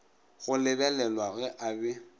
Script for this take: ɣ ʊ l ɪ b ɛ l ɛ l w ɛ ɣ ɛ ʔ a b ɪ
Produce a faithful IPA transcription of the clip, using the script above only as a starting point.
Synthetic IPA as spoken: ɣ ʊ l ɪ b ɛ l ɛ l w a ɣ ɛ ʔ a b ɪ